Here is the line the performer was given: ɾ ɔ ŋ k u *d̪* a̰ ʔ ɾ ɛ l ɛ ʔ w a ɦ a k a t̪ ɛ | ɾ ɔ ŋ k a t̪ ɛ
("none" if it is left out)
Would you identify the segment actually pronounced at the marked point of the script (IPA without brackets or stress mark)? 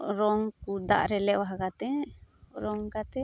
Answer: d̪